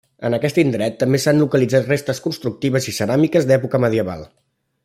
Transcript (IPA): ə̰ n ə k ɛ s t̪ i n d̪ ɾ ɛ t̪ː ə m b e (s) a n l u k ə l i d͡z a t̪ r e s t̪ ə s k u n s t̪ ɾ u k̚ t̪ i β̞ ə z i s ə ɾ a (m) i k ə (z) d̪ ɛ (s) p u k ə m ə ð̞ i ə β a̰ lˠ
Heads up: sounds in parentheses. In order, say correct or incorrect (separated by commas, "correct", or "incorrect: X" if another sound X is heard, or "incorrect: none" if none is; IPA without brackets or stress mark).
correct, correct, correct, incorrect: none